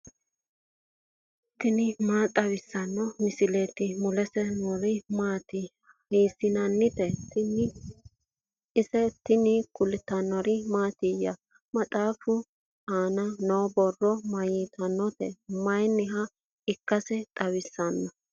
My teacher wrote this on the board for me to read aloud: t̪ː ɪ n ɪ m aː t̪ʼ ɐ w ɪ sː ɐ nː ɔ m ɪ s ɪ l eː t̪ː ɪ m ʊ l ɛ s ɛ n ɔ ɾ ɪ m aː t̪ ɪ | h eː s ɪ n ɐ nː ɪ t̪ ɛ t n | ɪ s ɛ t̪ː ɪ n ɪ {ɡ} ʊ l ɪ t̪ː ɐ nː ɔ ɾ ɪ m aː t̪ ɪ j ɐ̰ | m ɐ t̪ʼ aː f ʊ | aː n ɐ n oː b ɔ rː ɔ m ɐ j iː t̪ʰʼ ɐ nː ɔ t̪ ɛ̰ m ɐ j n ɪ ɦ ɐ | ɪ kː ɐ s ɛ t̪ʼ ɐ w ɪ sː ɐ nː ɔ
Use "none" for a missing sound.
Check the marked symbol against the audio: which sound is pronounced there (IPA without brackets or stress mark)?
k